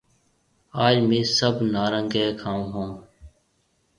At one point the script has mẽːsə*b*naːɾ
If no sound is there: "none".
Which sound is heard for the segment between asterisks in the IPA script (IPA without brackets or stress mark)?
b